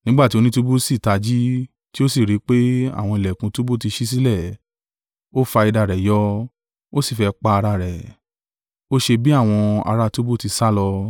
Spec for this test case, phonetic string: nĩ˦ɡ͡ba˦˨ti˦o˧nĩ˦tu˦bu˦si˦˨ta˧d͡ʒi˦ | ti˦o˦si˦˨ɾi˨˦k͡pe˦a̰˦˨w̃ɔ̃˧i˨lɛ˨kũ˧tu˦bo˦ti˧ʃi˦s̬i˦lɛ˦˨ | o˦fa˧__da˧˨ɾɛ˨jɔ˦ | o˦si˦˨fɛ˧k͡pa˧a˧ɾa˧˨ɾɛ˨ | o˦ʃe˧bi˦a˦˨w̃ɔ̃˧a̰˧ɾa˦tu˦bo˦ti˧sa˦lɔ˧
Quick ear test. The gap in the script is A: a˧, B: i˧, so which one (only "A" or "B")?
B